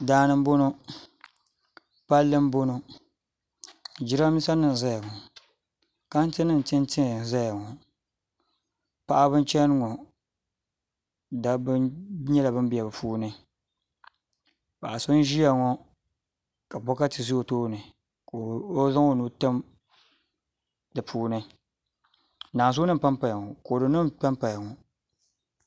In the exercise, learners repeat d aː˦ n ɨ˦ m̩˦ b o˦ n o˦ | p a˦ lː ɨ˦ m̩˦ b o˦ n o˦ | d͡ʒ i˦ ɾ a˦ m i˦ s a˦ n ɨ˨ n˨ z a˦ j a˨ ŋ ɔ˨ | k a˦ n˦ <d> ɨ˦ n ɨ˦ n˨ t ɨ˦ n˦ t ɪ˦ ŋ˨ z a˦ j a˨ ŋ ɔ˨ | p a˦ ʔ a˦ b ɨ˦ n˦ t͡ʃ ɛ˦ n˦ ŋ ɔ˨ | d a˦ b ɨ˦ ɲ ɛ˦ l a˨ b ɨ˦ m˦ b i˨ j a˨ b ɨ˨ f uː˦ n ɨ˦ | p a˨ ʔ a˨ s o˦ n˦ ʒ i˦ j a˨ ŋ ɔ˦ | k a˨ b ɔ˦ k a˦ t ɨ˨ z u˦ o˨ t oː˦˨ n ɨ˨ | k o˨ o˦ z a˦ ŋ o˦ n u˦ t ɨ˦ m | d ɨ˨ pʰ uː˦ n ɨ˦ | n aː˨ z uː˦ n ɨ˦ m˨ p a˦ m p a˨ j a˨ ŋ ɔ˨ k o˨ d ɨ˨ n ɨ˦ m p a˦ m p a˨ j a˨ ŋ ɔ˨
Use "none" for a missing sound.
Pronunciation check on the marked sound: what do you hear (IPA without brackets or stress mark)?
t